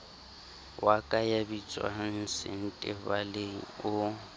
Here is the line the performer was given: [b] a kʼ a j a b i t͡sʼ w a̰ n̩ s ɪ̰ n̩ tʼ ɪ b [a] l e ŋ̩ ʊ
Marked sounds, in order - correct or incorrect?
incorrect, correct

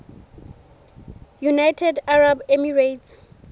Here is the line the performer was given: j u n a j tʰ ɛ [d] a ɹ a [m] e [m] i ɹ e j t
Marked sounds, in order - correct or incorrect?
correct, incorrect, correct

